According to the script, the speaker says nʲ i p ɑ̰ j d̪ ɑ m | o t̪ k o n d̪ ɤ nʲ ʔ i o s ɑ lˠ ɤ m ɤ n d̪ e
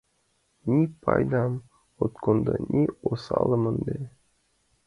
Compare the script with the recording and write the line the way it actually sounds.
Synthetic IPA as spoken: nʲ i p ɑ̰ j d̪ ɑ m | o t̪ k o n d̪ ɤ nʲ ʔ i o s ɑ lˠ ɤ m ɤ n d̪ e